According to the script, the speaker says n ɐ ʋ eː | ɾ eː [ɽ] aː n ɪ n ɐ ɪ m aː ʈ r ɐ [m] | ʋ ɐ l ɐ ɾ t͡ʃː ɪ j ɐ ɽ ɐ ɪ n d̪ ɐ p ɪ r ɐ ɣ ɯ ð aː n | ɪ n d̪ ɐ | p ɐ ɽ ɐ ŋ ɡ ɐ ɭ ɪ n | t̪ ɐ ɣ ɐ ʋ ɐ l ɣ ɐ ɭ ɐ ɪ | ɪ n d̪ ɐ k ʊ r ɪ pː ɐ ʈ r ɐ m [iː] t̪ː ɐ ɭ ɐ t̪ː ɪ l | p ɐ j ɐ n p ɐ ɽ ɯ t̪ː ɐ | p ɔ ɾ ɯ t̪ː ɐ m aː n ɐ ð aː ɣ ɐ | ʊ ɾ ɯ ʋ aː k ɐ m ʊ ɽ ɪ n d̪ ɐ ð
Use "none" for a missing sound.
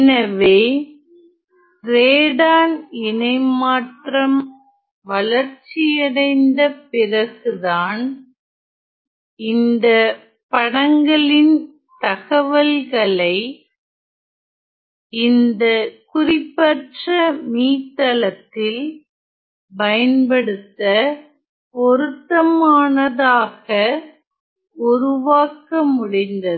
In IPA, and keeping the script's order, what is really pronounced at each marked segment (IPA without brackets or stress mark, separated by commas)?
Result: ɽ, m, iː